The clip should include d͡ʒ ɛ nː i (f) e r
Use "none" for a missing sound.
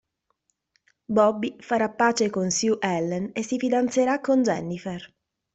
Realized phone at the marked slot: f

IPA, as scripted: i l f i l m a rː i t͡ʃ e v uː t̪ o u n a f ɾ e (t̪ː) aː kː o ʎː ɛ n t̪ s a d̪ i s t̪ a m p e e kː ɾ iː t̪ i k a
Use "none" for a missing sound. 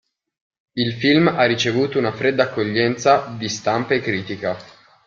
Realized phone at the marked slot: d̪ː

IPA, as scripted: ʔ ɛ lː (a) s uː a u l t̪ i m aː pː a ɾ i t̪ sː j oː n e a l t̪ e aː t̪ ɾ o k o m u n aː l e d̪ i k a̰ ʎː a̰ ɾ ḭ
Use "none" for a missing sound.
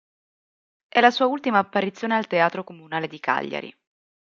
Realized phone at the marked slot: a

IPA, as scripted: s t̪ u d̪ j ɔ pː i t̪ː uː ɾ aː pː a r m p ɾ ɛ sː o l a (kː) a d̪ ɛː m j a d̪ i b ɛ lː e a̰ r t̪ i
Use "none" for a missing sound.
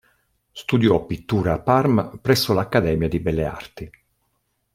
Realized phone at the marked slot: kː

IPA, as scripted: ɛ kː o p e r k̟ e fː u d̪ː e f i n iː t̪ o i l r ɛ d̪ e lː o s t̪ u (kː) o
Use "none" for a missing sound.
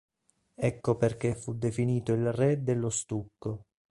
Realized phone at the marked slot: kː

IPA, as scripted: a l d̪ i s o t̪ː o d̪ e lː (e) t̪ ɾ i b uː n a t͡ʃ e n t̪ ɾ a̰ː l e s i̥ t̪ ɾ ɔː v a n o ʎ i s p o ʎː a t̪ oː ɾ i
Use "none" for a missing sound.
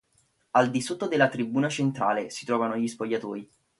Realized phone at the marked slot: a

